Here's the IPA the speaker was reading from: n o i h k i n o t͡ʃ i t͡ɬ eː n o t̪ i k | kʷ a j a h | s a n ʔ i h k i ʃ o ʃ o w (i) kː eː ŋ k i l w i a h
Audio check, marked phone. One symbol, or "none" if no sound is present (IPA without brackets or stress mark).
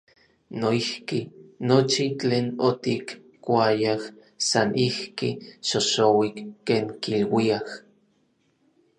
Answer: i